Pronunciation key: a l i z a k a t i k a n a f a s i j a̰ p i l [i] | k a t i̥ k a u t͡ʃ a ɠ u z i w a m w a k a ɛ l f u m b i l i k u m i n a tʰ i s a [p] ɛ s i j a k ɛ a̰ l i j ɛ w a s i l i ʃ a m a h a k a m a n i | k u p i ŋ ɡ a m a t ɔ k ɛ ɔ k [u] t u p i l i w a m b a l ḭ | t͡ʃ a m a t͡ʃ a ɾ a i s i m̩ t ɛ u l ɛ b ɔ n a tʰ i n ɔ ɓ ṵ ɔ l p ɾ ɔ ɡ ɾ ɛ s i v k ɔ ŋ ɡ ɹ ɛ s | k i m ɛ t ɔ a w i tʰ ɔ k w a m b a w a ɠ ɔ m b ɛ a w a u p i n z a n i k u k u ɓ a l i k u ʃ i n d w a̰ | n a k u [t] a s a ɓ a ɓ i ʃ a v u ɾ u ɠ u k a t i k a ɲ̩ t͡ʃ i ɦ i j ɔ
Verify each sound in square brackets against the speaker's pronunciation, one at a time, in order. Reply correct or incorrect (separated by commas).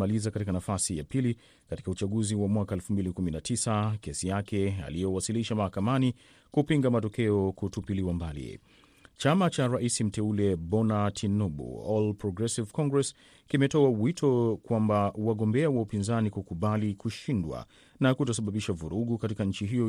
correct, incorrect, correct, correct